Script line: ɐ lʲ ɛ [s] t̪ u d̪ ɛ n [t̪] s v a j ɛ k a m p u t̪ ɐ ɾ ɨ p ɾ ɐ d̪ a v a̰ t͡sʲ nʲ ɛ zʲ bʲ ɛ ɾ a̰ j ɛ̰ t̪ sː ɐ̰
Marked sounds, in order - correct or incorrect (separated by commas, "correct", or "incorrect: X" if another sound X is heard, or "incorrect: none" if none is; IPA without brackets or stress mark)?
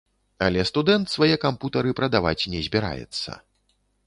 correct, correct